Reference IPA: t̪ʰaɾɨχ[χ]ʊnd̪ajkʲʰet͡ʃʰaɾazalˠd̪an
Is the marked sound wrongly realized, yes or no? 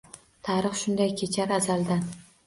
yes